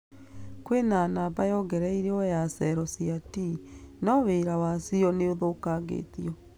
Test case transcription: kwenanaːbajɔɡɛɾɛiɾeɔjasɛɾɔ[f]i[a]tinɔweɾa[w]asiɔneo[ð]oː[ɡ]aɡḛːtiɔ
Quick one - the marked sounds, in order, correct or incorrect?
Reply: incorrect: s, correct, correct, correct, incorrect: k

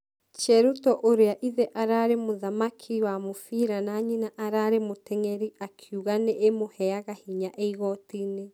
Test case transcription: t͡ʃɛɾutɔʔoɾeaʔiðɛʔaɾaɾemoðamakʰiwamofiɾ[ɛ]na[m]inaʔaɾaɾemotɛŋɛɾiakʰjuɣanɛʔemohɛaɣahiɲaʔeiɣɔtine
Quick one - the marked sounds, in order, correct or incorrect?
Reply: incorrect: a, incorrect: ɲ

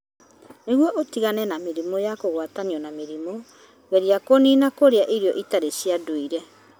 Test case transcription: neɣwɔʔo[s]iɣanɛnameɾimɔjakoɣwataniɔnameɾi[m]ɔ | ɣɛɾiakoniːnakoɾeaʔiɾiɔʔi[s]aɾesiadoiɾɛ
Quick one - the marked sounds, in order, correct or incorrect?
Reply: incorrect: t, correct, incorrect: t

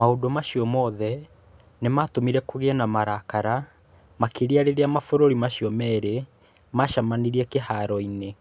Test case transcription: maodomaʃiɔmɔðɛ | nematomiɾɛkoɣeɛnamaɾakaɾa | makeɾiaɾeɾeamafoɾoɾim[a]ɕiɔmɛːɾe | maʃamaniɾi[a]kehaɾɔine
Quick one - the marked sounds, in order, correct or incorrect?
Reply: correct, incorrect: ɛ

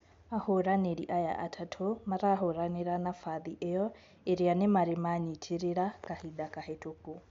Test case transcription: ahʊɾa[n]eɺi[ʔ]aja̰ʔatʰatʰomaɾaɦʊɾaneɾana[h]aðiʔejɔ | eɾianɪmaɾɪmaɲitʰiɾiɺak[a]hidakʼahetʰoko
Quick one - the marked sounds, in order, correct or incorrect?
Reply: correct, correct, incorrect: f, correct

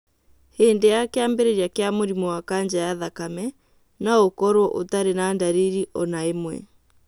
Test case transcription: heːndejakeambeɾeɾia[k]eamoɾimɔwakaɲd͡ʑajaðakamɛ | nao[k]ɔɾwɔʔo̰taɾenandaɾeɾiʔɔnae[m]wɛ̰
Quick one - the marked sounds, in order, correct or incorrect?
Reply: correct, correct, correct

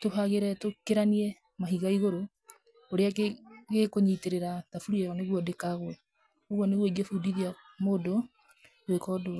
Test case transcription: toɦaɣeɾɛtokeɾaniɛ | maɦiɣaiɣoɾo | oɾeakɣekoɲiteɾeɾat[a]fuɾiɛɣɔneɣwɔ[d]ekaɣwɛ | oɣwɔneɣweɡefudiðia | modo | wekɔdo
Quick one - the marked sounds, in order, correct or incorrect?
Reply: correct, correct

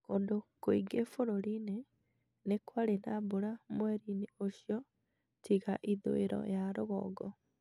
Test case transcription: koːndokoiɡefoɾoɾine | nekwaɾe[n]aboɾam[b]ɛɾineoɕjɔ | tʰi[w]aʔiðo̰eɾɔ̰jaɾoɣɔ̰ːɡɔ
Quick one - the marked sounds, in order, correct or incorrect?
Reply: correct, incorrect: w, incorrect: ɣ

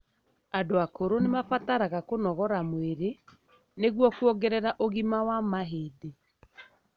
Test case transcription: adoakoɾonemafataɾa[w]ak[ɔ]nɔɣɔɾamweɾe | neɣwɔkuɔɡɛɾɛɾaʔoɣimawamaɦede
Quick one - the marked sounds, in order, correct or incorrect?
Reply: incorrect: ɣ, incorrect: o

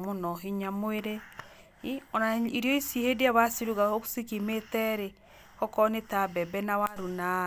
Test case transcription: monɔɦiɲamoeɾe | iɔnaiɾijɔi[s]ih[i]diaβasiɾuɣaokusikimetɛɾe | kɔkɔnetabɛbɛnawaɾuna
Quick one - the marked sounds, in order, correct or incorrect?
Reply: correct, incorrect: e

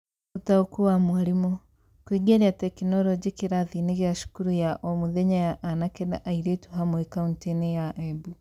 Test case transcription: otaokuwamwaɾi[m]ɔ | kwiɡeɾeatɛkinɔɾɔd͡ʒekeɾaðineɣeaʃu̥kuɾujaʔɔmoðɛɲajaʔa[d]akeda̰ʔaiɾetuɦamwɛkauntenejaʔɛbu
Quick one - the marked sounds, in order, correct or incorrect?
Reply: correct, incorrect: n

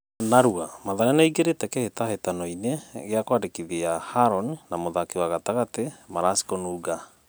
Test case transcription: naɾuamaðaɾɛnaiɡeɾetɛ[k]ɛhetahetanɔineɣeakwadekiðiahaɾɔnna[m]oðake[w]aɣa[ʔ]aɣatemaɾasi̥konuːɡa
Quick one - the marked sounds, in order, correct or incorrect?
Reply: correct, correct, correct, incorrect: t

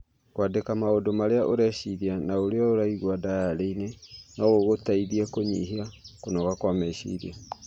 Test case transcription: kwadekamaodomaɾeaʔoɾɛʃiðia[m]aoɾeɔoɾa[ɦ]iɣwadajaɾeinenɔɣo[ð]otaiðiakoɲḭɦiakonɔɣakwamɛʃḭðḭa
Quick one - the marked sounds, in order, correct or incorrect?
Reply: incorrect: n, incorrect: none, incorrect: ɣ

